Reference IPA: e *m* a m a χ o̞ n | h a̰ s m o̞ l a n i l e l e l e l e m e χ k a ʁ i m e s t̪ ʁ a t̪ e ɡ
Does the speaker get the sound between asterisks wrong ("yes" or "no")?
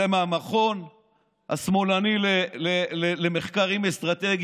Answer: no